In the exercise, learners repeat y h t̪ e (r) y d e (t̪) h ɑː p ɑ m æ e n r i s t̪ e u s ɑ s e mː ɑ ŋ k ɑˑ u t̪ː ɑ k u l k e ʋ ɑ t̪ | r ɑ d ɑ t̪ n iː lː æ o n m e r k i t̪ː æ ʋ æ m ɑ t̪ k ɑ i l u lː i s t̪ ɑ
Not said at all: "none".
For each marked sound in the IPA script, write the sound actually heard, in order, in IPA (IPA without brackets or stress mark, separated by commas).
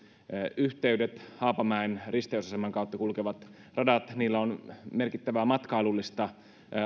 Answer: none, t̪